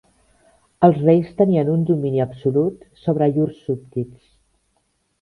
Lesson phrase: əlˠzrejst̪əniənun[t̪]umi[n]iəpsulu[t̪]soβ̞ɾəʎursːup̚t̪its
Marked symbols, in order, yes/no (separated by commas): no, yes, yes